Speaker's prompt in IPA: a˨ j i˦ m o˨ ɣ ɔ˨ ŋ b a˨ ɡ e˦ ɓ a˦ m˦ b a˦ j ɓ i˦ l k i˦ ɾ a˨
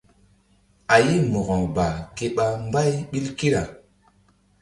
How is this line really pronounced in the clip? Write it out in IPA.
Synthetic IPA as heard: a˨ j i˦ m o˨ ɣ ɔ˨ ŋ b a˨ k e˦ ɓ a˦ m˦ b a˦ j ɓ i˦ l k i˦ ɾ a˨